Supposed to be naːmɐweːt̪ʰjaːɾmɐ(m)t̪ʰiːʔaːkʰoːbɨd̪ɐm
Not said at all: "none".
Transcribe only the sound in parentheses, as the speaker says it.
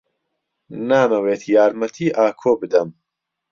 none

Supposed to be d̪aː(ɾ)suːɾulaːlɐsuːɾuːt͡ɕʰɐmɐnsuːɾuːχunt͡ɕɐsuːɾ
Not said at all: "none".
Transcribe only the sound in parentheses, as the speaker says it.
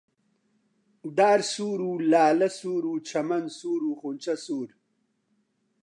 ɾ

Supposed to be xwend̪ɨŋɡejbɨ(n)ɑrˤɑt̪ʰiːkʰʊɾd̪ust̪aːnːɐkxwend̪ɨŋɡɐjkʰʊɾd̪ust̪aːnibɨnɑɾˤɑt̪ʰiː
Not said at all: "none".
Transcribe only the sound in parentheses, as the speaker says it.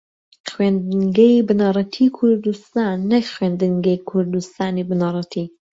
n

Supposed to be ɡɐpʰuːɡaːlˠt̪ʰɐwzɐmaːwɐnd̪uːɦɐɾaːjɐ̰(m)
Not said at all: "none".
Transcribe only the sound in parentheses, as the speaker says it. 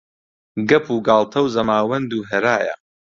none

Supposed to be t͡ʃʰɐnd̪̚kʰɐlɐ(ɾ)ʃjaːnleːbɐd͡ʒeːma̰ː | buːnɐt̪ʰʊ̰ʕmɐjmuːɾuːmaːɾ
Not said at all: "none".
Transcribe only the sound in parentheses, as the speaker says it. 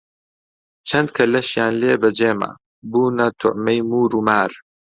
none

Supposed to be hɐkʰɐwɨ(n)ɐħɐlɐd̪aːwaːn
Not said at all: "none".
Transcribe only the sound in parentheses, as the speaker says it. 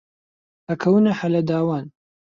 n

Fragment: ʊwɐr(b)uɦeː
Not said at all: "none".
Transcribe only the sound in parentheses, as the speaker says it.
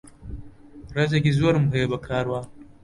m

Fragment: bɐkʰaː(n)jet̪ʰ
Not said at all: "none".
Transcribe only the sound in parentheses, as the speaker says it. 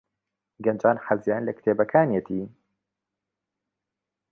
n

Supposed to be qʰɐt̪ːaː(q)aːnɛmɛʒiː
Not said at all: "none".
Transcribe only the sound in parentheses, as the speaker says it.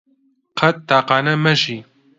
q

